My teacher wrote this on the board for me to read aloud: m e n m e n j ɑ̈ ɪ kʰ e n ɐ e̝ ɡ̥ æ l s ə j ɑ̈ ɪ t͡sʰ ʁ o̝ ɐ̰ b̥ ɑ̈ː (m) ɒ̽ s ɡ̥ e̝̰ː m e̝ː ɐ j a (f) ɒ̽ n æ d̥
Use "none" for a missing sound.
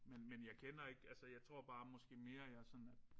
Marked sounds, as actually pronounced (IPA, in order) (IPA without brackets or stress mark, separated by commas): m, s